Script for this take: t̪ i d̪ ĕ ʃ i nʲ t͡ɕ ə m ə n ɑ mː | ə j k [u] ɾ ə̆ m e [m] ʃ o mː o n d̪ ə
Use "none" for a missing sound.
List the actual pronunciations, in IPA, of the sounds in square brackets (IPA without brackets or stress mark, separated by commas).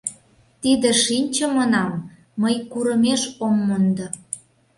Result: u, none